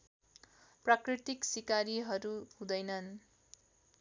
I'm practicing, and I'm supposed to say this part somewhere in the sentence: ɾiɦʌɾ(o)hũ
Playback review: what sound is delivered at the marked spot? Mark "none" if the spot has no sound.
u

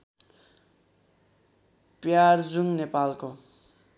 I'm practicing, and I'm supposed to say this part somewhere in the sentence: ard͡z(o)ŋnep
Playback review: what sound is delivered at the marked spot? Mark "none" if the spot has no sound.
u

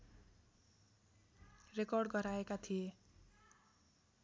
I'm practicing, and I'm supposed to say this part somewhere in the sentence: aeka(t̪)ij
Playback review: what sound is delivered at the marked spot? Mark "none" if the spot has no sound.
t̪ʰ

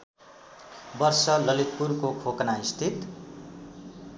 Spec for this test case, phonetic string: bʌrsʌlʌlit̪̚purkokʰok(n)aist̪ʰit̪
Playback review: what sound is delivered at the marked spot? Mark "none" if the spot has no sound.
n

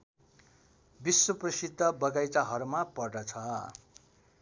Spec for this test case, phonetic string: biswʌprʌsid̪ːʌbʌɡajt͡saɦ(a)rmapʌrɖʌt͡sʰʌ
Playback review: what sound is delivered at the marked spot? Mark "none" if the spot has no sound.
ʌ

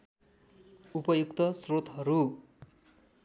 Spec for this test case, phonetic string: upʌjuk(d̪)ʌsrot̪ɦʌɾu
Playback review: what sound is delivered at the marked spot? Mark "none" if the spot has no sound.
t̪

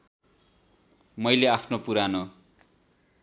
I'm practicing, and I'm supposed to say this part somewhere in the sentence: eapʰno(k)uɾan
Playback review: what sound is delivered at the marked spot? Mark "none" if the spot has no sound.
p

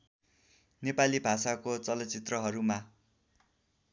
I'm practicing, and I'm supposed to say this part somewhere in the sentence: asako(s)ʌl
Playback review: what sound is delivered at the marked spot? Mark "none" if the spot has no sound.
t͡s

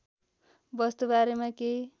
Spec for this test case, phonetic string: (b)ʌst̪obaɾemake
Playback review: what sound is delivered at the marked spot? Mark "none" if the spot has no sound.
b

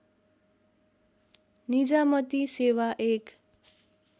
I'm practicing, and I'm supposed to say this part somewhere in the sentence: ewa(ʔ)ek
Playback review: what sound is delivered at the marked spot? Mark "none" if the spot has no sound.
ʔ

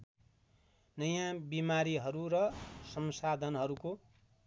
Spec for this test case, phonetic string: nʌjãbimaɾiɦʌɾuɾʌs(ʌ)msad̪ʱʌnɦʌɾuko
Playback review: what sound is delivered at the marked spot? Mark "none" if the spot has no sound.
ʌ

